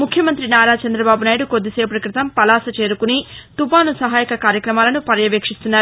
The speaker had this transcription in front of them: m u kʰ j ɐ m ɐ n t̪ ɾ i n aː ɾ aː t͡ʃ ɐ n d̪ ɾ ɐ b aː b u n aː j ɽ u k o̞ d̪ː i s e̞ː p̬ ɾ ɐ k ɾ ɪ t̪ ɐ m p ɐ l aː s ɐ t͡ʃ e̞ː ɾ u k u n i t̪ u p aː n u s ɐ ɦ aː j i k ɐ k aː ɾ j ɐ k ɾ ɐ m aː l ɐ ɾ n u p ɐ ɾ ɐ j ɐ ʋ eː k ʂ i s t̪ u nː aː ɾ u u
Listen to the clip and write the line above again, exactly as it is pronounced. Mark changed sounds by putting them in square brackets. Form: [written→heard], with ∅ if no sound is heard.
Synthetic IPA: m u kʰ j ɐ m ɐ n t̪ ɾ i n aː ɾ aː t͡ʃ ɐ n d̪ ɾ ɐ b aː b u n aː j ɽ u k o̞ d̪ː i s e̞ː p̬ ɾ ɐ k ɾ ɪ t̪ ɐ m p ɐ l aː s ɐ t͡ʃ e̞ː ɾ u k u n i t̪ u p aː n u s ɐ ɦ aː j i k ɐ k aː ɾ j ɐ k ɾ ɐ m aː l ɐ [ɾ→∅] n u p ɐ ɾ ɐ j ɐ ʋ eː k ʂ i s t̪ u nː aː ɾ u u